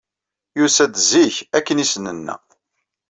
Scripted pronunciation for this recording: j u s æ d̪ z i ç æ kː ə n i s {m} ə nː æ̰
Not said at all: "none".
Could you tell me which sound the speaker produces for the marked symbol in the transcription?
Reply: n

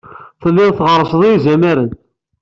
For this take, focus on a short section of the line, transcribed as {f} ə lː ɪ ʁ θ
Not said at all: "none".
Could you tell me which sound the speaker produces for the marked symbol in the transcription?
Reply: θ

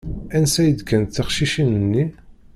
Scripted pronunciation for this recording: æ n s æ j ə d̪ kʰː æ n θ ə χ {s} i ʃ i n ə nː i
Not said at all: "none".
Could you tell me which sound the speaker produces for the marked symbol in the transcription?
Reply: ʃ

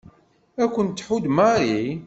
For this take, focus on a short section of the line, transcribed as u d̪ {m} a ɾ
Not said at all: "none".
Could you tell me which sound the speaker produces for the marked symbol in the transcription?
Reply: m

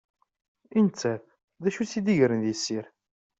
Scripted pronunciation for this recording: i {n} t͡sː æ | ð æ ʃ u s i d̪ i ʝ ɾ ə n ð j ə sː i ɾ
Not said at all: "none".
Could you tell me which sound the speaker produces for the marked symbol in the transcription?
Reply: n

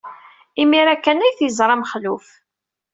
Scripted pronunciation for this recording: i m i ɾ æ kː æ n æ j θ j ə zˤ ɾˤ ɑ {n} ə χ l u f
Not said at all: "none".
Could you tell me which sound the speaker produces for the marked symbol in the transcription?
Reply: m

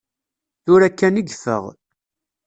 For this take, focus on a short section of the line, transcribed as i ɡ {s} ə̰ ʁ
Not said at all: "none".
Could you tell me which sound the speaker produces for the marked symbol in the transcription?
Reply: f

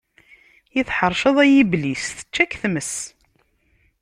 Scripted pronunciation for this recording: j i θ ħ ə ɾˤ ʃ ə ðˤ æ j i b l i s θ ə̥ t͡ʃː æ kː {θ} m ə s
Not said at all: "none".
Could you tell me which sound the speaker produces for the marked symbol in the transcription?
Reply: θ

